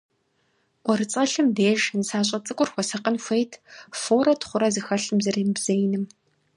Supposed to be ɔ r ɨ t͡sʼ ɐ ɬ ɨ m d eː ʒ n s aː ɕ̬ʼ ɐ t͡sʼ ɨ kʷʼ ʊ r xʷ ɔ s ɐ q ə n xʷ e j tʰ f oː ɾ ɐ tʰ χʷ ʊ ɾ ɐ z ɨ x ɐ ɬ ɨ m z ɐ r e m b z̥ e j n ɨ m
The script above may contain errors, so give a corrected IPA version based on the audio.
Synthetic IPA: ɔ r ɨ t͡sʼ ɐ ɬ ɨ m d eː ʒ n s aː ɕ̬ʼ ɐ t͡sʼ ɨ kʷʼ ʊ r xʷ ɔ s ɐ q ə n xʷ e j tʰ f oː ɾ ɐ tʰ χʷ ʊ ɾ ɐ z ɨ x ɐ ɬ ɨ m z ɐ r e m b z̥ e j n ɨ m